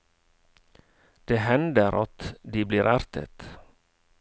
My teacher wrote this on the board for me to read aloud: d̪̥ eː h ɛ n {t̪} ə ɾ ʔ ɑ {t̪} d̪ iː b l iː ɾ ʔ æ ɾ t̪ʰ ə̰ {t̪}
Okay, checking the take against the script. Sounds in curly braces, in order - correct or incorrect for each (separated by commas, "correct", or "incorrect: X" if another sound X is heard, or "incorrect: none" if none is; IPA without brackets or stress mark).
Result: incorrect: d̪, correct, correct